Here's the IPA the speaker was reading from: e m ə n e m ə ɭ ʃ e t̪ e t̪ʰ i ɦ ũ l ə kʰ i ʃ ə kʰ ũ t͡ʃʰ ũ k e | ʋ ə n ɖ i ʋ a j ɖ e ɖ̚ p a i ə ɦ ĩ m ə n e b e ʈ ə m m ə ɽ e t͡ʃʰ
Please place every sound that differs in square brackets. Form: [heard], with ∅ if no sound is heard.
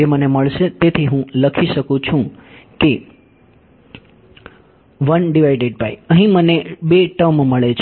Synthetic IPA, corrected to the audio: e m ə n e m ə ɭ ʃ e t̪ e t̪ʰ i ɦ ũ l ə kʰ i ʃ ə [k] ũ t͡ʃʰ ũ k e | ʋ ə n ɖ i ʋ a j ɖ e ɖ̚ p a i ə ɦ ĩ m ə n e b e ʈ ə m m ə [ɭ] e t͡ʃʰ